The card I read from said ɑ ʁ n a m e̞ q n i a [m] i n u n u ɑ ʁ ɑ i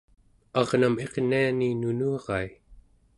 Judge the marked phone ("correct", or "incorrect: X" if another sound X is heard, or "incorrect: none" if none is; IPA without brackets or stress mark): incorrect: n